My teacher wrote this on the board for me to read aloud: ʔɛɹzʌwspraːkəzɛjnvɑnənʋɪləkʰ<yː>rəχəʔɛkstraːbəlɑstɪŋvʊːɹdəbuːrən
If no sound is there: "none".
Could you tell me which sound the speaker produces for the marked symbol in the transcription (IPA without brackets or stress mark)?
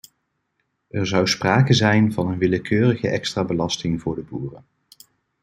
øː